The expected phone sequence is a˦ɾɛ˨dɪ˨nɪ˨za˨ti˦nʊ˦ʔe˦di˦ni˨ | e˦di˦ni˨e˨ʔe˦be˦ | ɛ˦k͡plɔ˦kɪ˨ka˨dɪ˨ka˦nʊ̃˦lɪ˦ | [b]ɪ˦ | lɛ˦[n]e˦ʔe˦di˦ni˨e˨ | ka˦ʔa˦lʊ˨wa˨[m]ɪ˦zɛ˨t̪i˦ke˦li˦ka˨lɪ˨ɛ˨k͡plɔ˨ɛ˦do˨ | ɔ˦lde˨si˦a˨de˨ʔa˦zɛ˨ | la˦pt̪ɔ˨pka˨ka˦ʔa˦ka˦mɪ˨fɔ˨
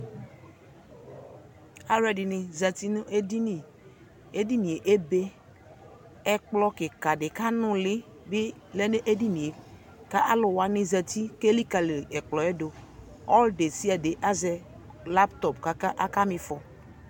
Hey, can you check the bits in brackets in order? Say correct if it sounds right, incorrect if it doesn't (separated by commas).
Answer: correct, correct, incorrect